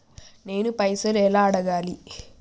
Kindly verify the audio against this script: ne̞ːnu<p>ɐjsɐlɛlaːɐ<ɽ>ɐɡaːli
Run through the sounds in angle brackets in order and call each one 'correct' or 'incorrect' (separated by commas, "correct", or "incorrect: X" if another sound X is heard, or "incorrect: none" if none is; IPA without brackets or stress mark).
correct, correct